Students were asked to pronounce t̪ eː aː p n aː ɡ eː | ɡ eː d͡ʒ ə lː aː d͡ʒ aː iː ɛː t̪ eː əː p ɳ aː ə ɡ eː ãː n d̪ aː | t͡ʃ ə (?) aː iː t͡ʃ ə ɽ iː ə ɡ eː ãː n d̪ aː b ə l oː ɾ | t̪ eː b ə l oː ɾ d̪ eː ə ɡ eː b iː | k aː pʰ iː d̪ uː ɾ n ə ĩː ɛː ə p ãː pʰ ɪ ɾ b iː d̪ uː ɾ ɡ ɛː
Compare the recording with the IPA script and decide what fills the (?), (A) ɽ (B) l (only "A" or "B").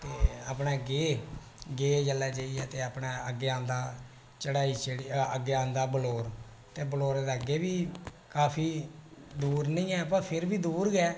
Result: A